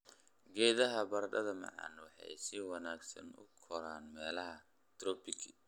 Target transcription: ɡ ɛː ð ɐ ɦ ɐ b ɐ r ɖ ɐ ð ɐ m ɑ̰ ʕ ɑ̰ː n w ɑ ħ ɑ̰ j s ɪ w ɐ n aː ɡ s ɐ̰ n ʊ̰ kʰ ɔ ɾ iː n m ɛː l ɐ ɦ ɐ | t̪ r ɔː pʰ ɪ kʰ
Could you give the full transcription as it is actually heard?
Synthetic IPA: ɡ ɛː ð ɐ ɦ ɐ b ɐ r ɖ ɐ ð ɐ m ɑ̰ ʕ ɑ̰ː n w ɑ ħ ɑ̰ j s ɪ w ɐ n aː ɡ s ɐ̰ n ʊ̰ kʰ ɔ ɾ aː n m ɛː l ɐ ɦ ɐ | t̪ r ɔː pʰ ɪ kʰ